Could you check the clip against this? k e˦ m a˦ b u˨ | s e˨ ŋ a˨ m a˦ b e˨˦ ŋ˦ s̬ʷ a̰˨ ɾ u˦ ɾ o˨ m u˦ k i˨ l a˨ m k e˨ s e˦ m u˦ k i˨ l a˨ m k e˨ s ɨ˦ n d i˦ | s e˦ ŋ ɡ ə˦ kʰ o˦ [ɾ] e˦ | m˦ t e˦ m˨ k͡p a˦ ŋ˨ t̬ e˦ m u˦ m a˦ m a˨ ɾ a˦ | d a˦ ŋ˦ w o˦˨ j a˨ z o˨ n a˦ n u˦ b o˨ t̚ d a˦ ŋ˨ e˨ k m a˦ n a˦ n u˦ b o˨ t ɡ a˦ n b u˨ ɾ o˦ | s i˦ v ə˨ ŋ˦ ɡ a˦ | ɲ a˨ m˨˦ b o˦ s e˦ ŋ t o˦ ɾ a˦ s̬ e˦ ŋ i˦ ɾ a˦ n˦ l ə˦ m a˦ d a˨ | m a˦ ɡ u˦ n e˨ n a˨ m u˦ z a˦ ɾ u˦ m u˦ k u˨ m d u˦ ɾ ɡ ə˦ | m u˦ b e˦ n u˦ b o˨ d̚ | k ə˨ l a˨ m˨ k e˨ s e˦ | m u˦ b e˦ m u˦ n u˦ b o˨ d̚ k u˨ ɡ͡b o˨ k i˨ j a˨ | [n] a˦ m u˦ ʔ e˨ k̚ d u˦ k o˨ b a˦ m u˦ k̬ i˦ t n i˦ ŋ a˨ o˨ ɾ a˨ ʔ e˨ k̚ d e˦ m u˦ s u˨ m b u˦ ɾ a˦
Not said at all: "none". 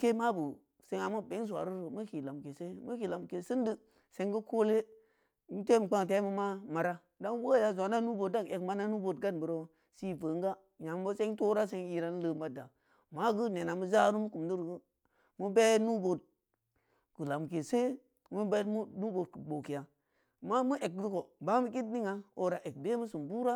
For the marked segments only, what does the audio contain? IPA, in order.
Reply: l, m

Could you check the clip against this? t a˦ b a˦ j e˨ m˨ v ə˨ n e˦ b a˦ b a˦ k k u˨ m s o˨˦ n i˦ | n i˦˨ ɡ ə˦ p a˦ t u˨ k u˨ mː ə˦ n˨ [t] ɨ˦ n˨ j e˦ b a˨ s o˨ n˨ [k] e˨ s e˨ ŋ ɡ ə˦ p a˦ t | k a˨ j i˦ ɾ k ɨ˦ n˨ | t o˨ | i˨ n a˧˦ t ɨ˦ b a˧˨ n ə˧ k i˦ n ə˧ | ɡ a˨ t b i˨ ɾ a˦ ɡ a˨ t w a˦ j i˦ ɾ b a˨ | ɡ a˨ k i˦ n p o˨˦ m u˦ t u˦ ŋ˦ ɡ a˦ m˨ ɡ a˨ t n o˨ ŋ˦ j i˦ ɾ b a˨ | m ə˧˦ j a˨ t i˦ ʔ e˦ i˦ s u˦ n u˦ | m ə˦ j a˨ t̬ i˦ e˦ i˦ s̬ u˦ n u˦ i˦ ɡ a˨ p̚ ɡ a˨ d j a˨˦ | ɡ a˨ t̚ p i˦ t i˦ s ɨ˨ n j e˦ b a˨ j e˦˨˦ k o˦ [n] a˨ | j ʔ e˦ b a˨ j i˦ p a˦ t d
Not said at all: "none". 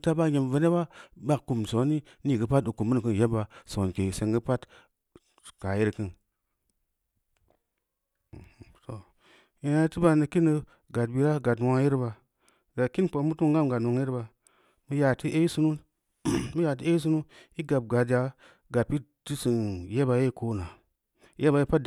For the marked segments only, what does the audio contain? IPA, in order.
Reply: k, k, n

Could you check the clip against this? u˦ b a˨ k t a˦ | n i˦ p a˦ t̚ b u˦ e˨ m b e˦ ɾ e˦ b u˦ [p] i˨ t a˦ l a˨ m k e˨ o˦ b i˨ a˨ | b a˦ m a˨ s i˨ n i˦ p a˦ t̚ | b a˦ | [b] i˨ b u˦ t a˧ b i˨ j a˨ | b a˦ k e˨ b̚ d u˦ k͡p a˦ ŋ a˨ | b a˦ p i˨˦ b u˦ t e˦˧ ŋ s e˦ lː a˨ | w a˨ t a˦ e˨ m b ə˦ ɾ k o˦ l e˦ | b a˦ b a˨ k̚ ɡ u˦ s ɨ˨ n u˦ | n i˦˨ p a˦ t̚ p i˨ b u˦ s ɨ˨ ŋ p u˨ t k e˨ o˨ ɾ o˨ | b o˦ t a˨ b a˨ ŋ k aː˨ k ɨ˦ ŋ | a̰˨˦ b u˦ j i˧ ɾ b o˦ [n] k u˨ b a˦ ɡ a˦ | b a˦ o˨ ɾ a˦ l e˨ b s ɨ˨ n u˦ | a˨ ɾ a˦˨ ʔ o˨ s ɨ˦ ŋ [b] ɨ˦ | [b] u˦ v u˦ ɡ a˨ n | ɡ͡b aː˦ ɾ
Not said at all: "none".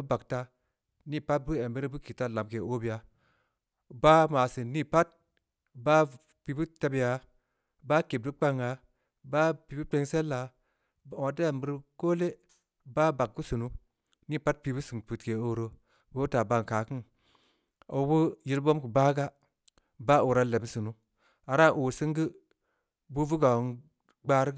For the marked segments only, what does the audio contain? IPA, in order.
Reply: k, p, m, ɡ, b

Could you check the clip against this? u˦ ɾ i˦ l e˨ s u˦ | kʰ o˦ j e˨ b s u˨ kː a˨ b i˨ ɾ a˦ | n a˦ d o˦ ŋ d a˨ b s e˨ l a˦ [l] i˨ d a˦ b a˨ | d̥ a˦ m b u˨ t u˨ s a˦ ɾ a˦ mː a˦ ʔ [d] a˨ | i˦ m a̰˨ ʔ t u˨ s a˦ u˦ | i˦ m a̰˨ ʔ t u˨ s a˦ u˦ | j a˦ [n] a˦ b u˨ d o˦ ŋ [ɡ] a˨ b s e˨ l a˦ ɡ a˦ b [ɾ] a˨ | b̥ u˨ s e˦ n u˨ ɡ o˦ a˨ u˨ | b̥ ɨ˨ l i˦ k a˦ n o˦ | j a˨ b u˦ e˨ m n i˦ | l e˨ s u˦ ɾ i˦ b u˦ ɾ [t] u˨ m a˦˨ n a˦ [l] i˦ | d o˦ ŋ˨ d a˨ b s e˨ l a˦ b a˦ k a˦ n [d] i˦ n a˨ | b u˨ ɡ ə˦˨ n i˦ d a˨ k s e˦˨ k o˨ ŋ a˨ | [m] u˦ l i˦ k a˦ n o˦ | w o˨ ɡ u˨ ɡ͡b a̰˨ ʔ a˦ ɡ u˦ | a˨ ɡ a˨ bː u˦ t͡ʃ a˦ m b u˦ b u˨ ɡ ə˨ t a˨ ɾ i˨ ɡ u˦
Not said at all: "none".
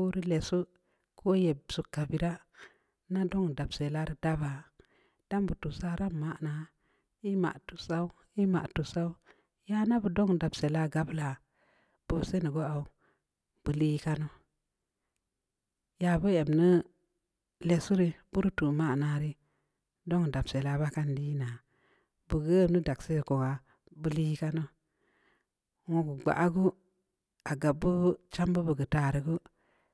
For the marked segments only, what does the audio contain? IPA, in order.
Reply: ɾ, n, n, d, l, t, ɾ, d, b

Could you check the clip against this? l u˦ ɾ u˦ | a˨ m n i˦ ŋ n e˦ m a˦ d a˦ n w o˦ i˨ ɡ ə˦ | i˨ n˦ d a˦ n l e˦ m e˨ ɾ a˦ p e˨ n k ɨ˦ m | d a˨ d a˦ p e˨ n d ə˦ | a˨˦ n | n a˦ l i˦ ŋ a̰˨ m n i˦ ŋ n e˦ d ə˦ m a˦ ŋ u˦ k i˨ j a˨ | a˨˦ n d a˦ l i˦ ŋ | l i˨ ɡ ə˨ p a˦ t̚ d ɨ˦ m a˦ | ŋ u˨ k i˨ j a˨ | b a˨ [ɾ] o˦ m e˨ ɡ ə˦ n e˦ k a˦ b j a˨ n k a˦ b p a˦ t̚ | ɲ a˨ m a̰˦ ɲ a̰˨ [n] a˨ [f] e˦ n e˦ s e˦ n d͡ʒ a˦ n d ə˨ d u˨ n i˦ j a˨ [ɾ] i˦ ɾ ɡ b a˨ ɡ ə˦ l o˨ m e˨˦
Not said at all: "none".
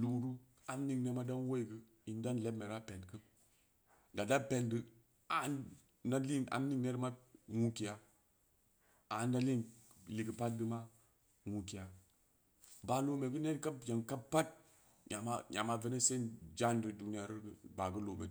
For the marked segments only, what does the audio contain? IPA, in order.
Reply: l, m, v, ɾ

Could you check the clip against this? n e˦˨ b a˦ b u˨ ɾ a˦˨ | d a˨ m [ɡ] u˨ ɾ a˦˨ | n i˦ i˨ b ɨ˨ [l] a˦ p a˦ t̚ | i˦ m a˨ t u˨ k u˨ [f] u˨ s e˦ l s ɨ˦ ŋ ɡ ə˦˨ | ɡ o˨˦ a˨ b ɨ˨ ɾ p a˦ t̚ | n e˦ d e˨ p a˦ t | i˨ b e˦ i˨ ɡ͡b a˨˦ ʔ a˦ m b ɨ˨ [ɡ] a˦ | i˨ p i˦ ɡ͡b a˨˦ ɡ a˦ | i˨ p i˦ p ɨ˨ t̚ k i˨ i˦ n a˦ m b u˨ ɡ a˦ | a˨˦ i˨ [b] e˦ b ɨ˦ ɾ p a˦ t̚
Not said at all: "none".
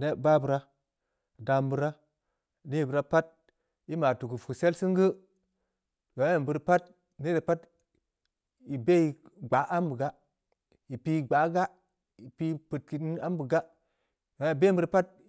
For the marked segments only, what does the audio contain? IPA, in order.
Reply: b, ɾ, f, ɡ, b

